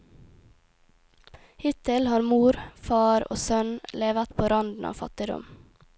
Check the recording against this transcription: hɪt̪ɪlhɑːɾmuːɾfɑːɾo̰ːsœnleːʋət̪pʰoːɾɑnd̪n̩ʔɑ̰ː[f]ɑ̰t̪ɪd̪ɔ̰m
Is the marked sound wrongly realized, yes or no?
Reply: no